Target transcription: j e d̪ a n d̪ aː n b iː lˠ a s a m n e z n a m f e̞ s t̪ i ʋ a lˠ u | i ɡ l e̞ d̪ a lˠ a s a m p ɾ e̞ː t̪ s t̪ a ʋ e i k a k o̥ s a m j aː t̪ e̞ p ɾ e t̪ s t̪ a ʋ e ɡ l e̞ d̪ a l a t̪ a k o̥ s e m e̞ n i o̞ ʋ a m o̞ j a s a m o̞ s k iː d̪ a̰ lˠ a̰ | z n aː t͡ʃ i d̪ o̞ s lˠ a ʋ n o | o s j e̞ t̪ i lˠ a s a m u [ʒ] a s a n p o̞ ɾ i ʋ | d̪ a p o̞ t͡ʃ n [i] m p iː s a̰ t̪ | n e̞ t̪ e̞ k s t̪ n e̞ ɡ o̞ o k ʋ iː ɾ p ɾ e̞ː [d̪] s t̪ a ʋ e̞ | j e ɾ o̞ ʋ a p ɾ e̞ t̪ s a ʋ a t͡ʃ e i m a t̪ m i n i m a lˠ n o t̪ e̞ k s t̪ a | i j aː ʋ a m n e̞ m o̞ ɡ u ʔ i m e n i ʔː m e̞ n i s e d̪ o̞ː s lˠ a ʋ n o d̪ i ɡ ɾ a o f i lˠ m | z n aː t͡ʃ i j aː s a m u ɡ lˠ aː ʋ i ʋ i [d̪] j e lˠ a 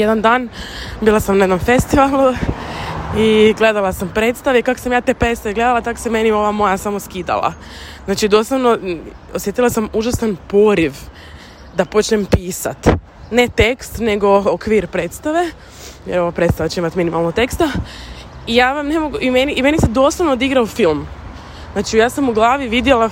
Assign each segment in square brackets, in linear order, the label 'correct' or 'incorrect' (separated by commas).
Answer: correct, incorrect, incorrect, correct